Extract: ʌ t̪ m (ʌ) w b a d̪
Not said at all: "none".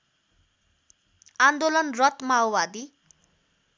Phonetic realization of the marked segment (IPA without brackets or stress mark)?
a